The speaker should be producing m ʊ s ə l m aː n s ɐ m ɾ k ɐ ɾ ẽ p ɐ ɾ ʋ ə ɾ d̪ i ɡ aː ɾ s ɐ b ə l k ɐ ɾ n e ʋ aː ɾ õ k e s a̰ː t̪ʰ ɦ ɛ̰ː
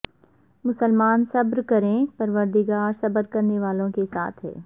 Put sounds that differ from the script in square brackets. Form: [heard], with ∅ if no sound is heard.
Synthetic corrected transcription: m ʊ s ə l m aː n s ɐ [b] ɾ k ɐ ɾ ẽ p ɐ ɾ ʋ ə ɾ d̪ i ɡ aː ɾ s ɐ b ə [ɾ] k ɐ ɾ n e ʋ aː [l] õ k e s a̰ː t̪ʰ ɦ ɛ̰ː